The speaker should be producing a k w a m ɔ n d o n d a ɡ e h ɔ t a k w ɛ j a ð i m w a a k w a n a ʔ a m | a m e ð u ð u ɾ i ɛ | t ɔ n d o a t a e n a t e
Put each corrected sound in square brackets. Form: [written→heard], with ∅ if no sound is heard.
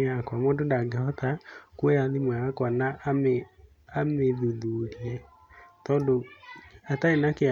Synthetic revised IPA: a k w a m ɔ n d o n d a ɡ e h ɔ t a k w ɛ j a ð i m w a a k w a n a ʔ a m | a m e ð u ð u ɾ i ɛ | t ɔ n d o a t a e n a [t→k] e